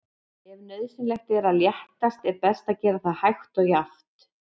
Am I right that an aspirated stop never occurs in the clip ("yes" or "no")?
yes